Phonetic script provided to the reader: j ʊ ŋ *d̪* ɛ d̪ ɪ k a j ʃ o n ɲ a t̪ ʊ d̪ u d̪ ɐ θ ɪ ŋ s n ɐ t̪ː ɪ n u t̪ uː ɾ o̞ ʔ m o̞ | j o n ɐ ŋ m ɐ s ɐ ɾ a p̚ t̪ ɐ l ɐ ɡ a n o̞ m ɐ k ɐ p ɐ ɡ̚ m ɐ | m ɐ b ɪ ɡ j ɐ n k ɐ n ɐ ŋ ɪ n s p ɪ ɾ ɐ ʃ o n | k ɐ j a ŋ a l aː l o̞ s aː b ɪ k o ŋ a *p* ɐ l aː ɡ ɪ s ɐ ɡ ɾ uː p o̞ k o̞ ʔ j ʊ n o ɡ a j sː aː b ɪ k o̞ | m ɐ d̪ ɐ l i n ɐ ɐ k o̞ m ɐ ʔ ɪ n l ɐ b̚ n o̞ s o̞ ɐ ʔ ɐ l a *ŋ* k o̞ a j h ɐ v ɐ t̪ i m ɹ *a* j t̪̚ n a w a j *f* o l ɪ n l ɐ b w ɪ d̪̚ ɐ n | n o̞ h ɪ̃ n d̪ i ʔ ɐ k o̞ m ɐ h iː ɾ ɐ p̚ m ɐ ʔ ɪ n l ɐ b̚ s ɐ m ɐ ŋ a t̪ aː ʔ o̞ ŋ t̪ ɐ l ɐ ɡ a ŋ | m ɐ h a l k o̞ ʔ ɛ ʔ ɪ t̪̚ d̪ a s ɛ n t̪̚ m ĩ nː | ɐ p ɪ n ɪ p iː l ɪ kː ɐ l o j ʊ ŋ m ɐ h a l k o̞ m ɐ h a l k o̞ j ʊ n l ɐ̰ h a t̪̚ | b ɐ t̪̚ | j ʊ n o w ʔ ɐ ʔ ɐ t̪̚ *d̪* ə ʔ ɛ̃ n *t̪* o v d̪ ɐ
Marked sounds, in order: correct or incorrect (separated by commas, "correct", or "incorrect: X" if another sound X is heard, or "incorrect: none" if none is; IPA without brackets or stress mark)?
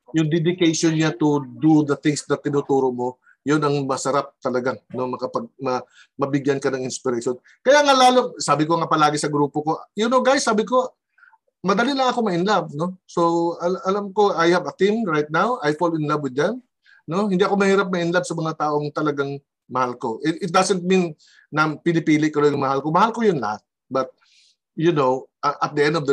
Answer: correct, correct, incorrect: m, correct, correct, correct, incorrect: d̪